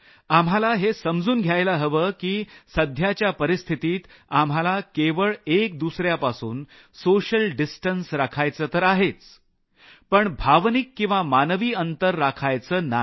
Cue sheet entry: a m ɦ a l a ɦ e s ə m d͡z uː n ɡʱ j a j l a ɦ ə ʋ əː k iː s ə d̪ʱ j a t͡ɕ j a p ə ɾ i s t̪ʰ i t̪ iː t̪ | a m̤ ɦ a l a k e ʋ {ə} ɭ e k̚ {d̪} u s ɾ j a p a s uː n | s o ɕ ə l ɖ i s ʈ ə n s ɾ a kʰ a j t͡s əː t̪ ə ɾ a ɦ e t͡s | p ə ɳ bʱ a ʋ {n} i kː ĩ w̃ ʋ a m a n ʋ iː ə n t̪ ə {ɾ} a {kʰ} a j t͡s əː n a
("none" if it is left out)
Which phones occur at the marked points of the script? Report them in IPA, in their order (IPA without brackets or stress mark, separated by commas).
ə, d̪, n, ɾː, kʰ